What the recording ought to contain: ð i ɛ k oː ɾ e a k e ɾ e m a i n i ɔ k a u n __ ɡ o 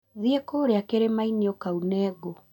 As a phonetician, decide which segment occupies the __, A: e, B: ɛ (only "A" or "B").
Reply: B